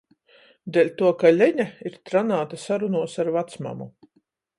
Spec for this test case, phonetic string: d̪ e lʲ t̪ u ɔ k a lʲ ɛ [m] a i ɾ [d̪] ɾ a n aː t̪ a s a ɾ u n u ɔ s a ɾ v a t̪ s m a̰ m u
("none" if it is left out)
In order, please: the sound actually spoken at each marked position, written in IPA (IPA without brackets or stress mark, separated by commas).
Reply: ɲ, t̪